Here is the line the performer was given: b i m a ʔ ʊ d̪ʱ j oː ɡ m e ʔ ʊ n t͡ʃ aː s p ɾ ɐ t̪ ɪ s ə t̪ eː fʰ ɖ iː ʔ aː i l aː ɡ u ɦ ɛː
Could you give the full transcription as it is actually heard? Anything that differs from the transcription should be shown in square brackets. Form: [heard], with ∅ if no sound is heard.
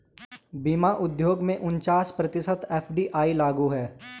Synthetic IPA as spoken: b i m a ʔ ʊ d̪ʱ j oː ɡ m [ẽ] ʔ ʊ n t͡ʃ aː s p ɾ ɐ t̪ ɪ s ə t̪ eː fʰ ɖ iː ʔ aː i l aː ɡ u ɦ ɛː